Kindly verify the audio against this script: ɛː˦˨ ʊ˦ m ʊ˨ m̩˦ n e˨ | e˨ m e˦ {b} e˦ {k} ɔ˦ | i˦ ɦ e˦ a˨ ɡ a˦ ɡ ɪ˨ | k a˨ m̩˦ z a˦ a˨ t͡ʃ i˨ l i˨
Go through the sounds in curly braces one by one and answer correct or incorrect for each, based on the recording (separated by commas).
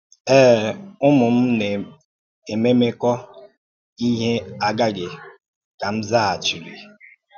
incorrect, correct